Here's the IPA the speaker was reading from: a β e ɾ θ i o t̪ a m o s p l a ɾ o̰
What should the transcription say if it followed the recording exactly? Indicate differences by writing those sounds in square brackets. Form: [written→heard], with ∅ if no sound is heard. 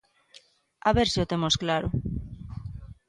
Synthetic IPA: a β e ɾ [θ→s] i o t̪ [a→e] m o s [p→k] l a ɾ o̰

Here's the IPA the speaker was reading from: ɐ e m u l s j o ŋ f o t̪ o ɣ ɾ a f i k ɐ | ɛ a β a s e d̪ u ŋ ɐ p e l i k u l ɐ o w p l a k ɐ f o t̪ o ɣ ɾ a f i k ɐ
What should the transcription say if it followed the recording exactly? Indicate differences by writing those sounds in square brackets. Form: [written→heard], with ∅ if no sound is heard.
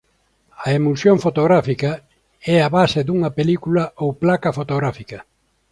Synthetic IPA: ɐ e m u l s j o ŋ f o t̪ o ɣ ɾ a f i k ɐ | ɛ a β a s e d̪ u ŋ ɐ p e l i k u l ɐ o w p l a k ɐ f o t̪ o ɣ ɾ a f i k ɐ

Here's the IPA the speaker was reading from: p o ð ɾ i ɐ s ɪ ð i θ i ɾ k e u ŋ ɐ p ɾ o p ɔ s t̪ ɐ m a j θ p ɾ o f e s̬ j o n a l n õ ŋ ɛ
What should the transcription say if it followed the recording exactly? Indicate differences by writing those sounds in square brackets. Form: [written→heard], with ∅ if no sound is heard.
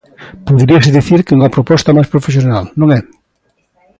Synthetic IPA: p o ð ɾ i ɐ s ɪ ð i θ i ɾ k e u ŋ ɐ p ɾ o p ɔ s t̪ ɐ m a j [θ→s] p ɾ o f e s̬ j o n a l n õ ŋ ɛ

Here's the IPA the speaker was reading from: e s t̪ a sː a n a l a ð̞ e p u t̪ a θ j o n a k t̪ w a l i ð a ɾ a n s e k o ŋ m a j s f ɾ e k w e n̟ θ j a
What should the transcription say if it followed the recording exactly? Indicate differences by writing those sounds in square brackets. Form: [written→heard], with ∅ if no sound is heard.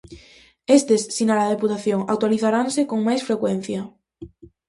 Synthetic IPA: e s t̪ [a→e] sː [a→i] n a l a ð̞ e p u t̪ a θ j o [n→ŋ] a k t̪ w a l i [ð→θ] a ɾ a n s e k o ŋ m a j s f ɾ e k w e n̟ θ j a

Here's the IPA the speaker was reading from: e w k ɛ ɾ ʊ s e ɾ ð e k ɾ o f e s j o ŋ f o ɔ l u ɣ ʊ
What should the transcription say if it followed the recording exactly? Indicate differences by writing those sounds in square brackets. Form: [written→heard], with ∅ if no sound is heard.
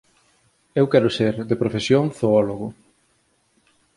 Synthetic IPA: e w k ɛ ɾ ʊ s e ɾ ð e [k→p] ɾ o f e s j o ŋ [f→θ] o ɔ l [u→o] ɣ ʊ

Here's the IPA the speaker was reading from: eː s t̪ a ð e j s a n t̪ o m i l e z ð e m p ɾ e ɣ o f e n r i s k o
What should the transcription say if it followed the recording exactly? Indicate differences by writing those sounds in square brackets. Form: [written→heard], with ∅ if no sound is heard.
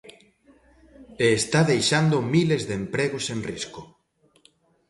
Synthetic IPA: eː s t̪ a ð e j [s→ʃ] a n [t̪→d̪] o m i l e z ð e m p ɾ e ɣ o [f→s] e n r i s k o

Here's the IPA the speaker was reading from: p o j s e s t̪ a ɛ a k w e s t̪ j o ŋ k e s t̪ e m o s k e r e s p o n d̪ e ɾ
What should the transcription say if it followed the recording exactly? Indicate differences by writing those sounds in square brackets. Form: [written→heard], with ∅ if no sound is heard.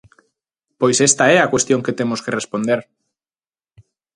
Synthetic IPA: p o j s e s t̪ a ɛ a k w e s t̪ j o ŋ k e [s→∅] t̪ e m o s k e r e s p o n d̪ e ɾ

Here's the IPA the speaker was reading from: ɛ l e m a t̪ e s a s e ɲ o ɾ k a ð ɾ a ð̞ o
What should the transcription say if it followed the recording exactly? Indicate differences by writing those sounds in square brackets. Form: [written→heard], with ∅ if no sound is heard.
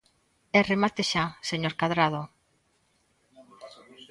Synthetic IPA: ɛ [l→r] e m a t̪ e [s→ʃ] a s e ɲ o ɾ k a ð ɾ a ð̞ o

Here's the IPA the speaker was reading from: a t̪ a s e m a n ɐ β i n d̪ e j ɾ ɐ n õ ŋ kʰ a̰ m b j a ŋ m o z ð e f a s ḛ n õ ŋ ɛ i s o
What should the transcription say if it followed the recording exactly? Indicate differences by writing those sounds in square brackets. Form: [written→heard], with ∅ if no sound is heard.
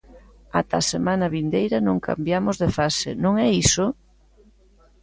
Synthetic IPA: a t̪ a s e m a n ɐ β i n d̪ e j ɾ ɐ n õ ŋ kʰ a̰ m b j a [ŋ→∅] m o z ð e f a s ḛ n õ ŋ ɛ i s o

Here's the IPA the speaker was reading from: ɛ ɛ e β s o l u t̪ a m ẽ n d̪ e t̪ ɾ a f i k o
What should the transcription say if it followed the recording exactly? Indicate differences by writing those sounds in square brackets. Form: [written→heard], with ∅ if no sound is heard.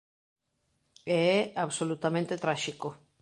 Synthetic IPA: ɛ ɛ [e→a] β s o l u t̪ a m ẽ n [d̪→t̪] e t̪ ɾ a [f→ʃ] i k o

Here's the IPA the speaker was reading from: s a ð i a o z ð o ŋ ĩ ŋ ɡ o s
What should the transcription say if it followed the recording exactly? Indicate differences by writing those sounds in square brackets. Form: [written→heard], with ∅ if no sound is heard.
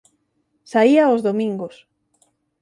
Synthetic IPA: s a [ð→∅] i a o z ð o [ŋ→m] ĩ ŋ ɡ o s

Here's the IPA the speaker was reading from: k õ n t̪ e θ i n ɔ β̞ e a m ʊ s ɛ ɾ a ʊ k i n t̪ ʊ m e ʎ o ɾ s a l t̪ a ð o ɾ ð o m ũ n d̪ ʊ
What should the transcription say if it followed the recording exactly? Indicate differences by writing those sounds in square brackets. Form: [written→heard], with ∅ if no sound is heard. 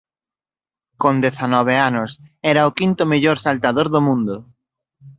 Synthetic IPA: k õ n [t̪→d̪] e θ [i→a] n ɔ β̞ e a [m→n] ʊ s ɛ ɾ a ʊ k i n t̪ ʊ m e ʎ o ɾ s a l t̪ a ð o ɾ ð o m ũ n d̪ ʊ

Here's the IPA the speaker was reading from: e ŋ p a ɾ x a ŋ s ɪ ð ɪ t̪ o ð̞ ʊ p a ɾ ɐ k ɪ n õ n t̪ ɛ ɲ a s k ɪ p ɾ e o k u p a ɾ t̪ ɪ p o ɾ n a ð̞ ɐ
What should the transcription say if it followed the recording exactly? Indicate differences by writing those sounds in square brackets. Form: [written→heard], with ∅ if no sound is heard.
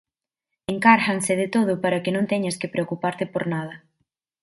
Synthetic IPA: e ŋ [p→k] a ɾ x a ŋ s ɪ ð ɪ t̪ o ð̞ ʊ p a ɾ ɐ k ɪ n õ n t̪ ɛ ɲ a s k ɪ p ɾ e o k u p a ɾ t̪ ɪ p o ɾ n a ð̞ ɐ

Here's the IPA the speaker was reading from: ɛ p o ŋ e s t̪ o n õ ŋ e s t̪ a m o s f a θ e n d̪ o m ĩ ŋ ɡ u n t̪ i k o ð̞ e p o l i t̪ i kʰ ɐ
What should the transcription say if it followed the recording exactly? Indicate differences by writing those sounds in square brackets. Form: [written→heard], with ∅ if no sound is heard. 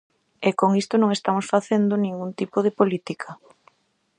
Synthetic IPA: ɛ [p→k] o ŋ [e→i] s t̪ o n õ ŋ e s t̪ a m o s f a θ e n d̪ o [m→n] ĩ ŋ ɡ u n t̪ i [k→p] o ð̞ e p o l i t̪ i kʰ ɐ

